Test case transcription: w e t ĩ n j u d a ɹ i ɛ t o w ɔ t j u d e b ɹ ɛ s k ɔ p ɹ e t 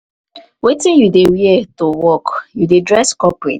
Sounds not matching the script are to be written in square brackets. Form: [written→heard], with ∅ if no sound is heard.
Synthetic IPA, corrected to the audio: w e t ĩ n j u d [a→e] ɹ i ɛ t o w ɔ [t→k] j u d e [b→d] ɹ ɛ s k ɔ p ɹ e t